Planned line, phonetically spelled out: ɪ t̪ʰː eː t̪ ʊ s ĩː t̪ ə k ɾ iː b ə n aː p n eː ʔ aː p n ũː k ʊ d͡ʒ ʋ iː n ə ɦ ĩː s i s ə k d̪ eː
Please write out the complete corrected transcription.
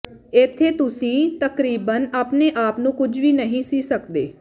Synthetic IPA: ɪ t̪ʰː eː t̪ ʊ s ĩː t̪ ə k ɾ iː b ə n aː p n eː ʔ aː p n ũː k ʊ d͡ʒ ʋ iː n ə ɦ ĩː s iː s ə k d̪ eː